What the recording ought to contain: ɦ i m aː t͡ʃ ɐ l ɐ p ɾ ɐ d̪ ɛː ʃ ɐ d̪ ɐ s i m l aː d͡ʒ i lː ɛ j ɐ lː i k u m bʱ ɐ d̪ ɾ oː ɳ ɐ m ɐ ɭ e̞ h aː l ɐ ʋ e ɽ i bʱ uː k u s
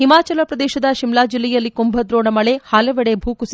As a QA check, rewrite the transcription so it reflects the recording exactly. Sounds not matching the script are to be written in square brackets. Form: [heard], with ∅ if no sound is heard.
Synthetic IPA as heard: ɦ i m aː t͡ʃ ɐ l ɐ p ɾ ɐ d̪ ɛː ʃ ɐ d̪ ɐ [ʃ] i m l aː d͡ʒ i lː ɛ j ɐ lː i k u m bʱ ɐ d̪ ɾ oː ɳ ɐ m ɐ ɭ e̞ h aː l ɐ ʋ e ɽ [e] bʱ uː k u s